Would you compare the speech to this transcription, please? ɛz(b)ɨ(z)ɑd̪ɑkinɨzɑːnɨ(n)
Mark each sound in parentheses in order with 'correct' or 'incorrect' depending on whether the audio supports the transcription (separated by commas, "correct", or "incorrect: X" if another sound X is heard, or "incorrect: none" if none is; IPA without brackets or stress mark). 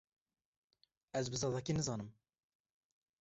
correct, correct, incorrect: m